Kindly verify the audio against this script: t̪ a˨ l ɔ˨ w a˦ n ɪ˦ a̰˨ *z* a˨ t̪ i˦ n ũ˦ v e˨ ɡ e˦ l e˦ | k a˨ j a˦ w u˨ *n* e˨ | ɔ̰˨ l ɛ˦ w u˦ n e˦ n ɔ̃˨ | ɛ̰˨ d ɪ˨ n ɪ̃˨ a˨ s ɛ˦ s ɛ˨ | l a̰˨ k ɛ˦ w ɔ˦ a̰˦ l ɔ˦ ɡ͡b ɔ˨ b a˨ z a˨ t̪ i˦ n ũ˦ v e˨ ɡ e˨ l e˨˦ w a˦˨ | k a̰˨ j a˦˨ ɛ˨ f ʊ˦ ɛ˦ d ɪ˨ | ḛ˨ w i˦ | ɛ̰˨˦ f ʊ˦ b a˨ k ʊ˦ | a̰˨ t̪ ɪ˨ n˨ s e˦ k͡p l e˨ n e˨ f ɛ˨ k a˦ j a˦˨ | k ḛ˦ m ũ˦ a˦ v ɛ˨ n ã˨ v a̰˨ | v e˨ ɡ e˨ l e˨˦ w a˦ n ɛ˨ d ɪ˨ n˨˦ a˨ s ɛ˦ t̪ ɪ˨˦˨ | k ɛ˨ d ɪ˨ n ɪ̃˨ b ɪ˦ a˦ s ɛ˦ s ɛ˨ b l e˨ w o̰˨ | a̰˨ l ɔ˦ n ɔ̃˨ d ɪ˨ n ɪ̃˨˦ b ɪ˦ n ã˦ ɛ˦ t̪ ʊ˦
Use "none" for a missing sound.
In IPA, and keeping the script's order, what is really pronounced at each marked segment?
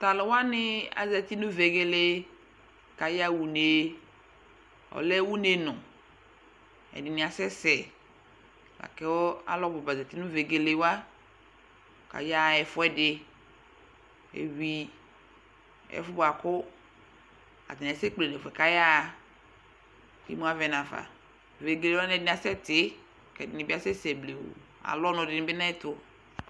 z, n

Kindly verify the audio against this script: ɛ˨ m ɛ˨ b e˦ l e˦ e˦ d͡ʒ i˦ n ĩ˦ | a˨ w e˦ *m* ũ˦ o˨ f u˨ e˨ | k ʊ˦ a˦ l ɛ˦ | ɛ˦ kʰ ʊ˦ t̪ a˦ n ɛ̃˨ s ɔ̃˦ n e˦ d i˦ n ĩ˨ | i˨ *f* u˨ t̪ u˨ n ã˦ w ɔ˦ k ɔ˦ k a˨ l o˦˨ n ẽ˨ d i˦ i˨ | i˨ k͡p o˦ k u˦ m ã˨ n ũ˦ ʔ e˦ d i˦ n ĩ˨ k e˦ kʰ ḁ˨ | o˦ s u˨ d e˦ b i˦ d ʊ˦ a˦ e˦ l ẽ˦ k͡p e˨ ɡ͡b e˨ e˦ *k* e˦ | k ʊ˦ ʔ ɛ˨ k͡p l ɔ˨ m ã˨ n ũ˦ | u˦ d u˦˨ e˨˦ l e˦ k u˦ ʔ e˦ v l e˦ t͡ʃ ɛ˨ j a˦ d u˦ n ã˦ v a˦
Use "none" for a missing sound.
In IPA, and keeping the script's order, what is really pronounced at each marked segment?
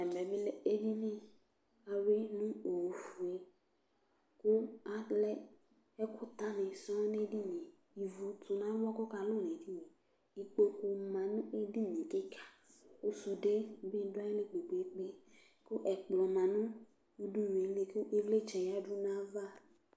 n, v, k͡p

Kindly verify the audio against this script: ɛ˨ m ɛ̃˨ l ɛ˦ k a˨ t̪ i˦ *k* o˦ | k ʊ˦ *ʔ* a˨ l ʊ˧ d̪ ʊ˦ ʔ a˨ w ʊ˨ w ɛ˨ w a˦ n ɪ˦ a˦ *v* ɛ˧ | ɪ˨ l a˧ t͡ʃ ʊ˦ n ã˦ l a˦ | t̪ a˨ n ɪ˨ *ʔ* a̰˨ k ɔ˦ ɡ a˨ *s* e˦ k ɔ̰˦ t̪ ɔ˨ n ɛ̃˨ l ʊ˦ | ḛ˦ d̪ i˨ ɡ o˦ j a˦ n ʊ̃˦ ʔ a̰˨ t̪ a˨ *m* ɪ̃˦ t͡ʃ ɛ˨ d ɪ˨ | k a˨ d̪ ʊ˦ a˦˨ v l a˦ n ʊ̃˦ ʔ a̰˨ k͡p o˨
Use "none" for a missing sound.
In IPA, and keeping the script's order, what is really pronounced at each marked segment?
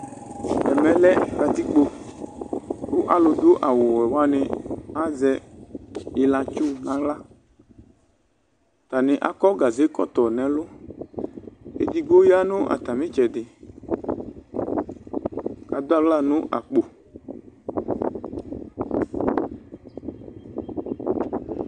k͡p, ʔ, z, ʔ, z, m

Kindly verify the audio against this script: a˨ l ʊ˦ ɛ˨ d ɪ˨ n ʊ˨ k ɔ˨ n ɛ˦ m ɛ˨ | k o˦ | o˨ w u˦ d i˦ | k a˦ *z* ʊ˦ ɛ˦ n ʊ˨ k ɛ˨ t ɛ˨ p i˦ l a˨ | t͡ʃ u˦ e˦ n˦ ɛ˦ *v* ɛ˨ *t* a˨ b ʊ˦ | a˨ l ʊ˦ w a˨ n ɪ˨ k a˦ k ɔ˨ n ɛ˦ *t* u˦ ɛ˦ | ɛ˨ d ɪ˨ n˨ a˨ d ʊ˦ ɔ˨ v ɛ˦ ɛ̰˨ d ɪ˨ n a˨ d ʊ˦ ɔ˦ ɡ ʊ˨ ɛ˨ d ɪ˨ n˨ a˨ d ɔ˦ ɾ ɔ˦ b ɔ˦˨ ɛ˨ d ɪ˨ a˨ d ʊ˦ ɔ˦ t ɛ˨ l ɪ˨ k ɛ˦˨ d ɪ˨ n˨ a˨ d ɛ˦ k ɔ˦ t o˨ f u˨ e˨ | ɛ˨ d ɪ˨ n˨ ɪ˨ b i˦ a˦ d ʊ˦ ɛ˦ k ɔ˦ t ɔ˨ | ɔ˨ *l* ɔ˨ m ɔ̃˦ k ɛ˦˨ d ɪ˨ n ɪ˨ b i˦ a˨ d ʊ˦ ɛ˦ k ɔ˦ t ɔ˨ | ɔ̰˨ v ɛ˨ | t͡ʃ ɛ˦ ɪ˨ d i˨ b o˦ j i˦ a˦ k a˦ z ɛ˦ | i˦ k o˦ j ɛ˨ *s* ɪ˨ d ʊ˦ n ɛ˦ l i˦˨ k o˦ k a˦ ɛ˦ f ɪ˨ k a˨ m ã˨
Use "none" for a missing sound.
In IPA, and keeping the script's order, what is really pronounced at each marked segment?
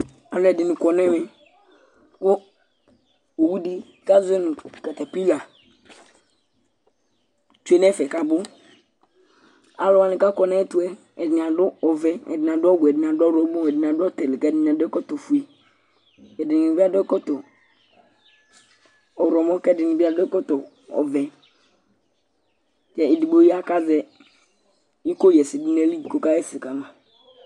z, f, k, t, ɾ, s

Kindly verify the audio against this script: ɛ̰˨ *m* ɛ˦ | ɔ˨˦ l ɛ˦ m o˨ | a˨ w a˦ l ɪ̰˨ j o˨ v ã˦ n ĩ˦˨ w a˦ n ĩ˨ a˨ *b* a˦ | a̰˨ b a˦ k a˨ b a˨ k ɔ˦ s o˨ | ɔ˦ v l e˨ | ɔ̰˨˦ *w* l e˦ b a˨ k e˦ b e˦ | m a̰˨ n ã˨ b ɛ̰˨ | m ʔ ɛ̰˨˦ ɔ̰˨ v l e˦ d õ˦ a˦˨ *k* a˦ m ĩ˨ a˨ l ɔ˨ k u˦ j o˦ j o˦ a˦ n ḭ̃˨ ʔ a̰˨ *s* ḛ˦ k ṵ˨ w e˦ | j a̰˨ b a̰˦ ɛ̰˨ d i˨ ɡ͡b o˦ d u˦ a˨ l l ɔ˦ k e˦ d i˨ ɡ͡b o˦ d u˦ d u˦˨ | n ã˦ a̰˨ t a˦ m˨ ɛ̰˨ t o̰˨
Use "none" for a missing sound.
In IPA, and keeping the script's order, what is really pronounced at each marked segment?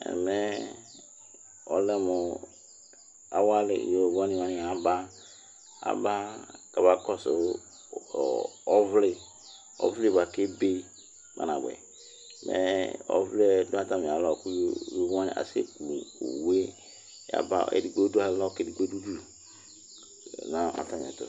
m, b, v, t, s

